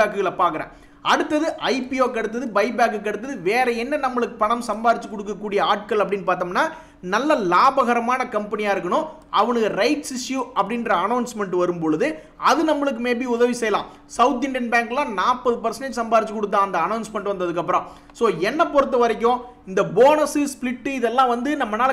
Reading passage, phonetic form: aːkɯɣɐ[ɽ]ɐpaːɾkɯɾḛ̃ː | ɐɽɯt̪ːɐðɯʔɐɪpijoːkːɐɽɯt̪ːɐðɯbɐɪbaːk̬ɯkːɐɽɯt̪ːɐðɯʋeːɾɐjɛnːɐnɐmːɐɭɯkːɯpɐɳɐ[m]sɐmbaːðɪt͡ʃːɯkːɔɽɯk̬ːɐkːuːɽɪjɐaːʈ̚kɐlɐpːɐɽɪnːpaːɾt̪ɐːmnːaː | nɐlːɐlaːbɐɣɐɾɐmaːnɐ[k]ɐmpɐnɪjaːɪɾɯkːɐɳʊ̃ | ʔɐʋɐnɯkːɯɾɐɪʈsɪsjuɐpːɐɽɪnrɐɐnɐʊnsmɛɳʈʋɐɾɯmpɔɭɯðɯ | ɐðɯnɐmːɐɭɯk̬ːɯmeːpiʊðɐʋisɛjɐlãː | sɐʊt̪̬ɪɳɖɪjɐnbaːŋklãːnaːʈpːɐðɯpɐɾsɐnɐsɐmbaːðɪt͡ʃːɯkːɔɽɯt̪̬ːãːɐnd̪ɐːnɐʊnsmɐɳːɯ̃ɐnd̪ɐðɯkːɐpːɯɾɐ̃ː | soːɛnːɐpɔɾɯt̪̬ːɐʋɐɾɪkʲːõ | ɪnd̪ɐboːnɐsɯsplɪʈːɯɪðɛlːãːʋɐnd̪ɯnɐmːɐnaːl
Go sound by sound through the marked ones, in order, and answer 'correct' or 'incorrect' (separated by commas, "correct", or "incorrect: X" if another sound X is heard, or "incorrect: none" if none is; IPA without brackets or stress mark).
incorrect: ɭ, correct, correct